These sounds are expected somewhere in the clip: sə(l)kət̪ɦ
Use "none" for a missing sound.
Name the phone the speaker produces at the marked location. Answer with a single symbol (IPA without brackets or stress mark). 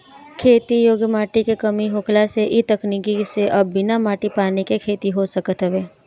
none